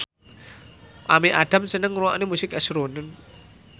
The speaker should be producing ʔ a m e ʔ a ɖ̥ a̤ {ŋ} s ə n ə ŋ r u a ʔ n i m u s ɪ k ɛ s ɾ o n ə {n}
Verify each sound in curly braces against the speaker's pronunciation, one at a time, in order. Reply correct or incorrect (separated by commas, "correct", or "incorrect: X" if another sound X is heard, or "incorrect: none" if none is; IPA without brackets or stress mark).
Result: incorrect: m, correct